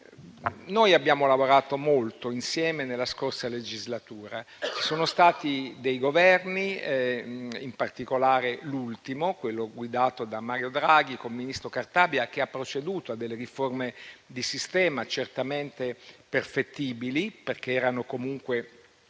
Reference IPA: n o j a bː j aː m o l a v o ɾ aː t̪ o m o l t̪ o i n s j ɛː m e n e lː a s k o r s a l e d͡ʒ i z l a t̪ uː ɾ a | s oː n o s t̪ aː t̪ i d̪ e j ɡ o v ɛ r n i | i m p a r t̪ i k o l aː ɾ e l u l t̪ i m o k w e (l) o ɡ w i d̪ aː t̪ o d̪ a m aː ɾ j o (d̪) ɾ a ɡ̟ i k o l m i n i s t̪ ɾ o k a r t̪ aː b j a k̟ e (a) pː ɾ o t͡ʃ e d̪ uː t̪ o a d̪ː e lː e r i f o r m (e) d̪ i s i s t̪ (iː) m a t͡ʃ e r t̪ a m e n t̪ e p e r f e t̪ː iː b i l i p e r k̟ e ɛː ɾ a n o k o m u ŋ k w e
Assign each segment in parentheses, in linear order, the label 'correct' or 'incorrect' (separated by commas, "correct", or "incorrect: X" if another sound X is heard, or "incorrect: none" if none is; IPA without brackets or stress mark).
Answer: incorrect: lː, correct, correct, correct, incorrect: ɛː